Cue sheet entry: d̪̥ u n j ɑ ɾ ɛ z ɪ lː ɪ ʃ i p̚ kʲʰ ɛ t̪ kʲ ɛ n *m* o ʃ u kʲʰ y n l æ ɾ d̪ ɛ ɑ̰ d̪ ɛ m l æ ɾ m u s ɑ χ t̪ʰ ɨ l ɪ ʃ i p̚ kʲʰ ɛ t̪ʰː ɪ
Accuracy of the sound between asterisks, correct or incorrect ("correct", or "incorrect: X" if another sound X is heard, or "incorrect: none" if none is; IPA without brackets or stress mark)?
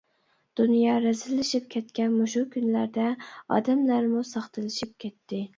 correct